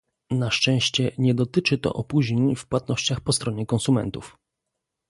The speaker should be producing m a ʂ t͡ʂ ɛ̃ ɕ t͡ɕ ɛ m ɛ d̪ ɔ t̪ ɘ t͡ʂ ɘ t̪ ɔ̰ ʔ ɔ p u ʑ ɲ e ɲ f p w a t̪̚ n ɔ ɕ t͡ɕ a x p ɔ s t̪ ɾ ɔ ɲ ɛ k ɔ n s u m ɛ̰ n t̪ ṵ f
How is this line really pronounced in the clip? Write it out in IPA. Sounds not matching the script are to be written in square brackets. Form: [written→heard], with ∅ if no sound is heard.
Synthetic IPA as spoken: [m→n] a ʂ t͡ʂ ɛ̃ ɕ t͡ɕ ɛ [m→ɲ] ɛ d̪ ɔ t̪ ɘ t͡ʂ ɘ t̪ ɔ̰ ʔ ɔ p u ʑ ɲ e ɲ f p w a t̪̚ n ɔ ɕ t͡ɕ a x p ɔ s t̪ ɾ ɔ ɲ ɛ k ɔ n s u m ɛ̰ n t̪ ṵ f